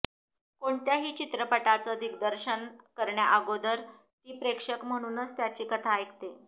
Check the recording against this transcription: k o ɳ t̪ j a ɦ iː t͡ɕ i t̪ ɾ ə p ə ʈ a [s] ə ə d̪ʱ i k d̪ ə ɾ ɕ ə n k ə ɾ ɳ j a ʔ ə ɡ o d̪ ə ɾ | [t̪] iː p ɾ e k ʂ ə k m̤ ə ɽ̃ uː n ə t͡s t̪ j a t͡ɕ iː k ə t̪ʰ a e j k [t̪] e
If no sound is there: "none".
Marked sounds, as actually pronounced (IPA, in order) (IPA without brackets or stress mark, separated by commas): t͡s, t̪, t̪